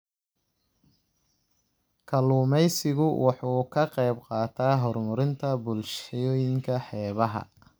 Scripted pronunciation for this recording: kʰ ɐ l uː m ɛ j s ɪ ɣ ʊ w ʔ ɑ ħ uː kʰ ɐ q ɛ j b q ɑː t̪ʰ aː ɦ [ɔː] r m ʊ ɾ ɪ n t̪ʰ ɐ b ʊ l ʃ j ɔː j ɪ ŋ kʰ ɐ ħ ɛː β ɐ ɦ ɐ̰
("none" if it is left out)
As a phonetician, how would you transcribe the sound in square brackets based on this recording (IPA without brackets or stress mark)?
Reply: ɔ